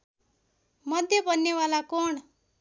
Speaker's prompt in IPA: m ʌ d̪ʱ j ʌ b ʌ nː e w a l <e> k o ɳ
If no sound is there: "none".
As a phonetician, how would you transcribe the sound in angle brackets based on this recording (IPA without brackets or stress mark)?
a